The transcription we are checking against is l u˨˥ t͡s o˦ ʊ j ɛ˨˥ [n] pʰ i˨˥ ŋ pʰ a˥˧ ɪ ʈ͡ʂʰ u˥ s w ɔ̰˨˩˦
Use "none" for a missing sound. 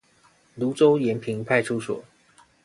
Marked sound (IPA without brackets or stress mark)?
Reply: n